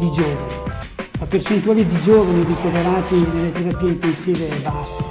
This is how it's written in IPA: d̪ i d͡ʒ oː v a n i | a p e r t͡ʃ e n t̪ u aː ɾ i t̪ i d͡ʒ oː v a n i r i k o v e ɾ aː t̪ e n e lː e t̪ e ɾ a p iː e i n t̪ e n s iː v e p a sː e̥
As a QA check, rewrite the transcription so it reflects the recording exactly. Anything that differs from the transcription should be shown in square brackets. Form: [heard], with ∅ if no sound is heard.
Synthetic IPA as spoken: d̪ i d͡ʒ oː v a n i | a p e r t͡ʃ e n t̪ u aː [l] i [d̪] i d͡ʒ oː v a n i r i k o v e ɾ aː t̪ [i] n e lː e t̪ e ɾ a p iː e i n t̪ e n s iː v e [b] a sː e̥

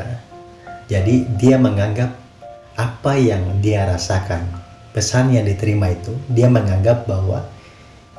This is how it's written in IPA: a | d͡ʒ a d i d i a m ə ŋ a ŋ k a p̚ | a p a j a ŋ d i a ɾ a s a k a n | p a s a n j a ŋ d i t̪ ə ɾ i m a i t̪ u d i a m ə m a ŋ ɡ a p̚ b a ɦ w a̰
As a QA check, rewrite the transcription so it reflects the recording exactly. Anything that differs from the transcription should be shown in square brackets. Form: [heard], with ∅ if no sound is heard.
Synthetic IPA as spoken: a | d͡ʒ a d i d i a m ə ŋ a ŋ [ɡ] a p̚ | a p a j a ŋ d i a ɾ a s a k a n | p [ə] s a n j a ŋ d i t̪ ə ɾ i m a i t̪ u d i a m ə [ŋ] a ŋ ɡ a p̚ b a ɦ w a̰

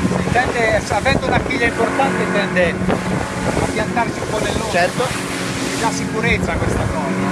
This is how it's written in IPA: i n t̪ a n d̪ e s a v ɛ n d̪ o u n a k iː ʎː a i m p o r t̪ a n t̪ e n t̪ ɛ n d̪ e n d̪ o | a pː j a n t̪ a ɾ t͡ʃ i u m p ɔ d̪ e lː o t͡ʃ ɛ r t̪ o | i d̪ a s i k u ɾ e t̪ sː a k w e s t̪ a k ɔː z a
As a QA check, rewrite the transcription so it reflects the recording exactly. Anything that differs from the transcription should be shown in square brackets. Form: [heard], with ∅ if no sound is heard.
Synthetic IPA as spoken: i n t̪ [ɛ] n d̪ e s a v ɛ n d̪ o u n a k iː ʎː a i m p o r t̪ a n t̪ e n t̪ ɛ n d̪ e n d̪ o | a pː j a n t̪ a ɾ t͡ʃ i u m p ɔ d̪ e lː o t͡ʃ ɛ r t̪ o | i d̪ a s i k u ɾ e t̪ sː a k w e s t̪ a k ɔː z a

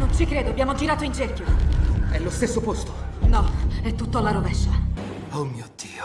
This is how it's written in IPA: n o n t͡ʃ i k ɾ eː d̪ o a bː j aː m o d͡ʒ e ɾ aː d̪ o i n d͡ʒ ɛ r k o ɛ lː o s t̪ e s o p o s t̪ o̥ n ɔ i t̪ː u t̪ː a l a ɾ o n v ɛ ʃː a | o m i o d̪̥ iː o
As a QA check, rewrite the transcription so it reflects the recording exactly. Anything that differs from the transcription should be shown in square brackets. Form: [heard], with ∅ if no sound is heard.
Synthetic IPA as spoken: n o n t͡ʃ i k ɾ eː d̪ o a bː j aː m o d͡ʒ [i] ɾ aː [t̪] o i n d͡ʒ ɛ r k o ɛ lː o s t̪ e [sː] o p o s t̪ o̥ n ɔ [ɛ] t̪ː u t̪ː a l a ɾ o [∅] v ɛ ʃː a | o m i o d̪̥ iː o

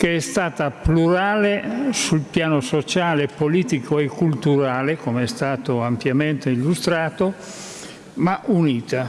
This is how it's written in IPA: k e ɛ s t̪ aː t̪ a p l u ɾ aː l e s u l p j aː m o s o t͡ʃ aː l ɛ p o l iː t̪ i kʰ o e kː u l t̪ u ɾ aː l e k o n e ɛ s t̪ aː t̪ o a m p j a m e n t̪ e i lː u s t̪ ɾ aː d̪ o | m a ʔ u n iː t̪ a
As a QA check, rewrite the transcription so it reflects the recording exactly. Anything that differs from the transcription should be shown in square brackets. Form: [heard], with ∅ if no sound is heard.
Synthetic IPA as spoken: k e ɛ s t̪ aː t̪ a p l u ɾ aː l e s u l p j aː [n] o s o t͡ʃ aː l [e] p o l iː t̪ i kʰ o e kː u l t̪ u ɾ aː l e k o [m] e ɛ s t̪ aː t̪ o a m p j a m e n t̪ e i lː u s t̪ ɾ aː [t̪] o | m a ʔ u n iː t̪ a

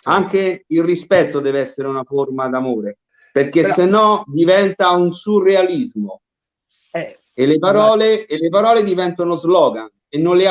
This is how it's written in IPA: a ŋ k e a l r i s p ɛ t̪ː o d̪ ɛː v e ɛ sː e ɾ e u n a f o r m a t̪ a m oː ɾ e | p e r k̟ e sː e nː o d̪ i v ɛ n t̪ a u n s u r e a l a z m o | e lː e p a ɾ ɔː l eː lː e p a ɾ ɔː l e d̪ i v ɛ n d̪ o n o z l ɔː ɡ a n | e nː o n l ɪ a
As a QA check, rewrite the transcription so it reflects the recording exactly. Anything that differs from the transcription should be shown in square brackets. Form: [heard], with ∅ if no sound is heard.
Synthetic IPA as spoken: a ŋ k e [i] l r i s p ɛ t̪ː o d̪ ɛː v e ɛ sː e ɾ e u n a f o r m a [d̪] a m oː ɾ e | p e r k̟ e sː e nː [ɔ] d̪ i v ɛ n t̪ a u n s u r e a l [i] z m o | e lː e p a ɾ ɔː l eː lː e p a ɾ ɔː l e d̪ i v ɛ n [t̪] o n o z l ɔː ɡ a n | e nː o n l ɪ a

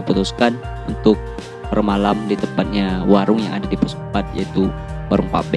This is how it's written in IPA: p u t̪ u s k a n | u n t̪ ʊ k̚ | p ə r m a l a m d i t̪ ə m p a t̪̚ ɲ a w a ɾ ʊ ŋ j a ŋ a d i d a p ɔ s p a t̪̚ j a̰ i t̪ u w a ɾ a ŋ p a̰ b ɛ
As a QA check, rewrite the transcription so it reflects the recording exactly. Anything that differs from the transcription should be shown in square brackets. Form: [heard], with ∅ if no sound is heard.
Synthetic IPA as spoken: p u t̪ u s k a n | u n t̪ ʊ k̚ | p ə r m a l a m d i t̪ ə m p a t̪̚ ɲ a w a ɾ ʊ ŋ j a ŋ a d [a] d [i] p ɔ s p a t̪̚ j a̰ i t̪ u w a ɾ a ŋ p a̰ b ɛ

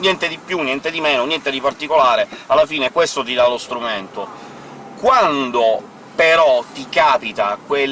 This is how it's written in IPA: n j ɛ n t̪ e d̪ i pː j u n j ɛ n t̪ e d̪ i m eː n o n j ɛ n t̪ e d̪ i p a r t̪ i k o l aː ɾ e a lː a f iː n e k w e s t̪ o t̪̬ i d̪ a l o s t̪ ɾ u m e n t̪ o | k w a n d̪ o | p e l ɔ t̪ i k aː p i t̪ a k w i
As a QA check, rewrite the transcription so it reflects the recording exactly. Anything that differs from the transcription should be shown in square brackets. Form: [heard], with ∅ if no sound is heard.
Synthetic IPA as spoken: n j ɛ n t̪ e d̪ i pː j u n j ɛ n t̪ e d̪ i m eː n o n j ɛ n t̪ e d̪ i p a r t̪ i k o l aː ɾ e a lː a f iː n e k w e s t̪ o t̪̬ i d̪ a l o s t̪ ɾ u m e n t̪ o | k w a n d̪ o | p e [ɾ] ɔ t̪ i k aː p i t̪ a k w [e]

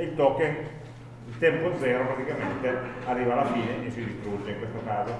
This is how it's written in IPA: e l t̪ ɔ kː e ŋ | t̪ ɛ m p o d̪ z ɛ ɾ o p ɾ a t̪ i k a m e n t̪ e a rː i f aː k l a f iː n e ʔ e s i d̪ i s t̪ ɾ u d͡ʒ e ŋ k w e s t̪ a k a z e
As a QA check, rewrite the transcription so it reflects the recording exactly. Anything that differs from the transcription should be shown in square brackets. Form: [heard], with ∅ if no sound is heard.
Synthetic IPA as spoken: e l t̪ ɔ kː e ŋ | t̪ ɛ m p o d̪ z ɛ ɾ o p ɾ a t̪ i k a m e n t̪ e a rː i [v] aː [∅] l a f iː n e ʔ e s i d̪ i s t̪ ɾ u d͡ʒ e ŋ k w e s t̪ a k a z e

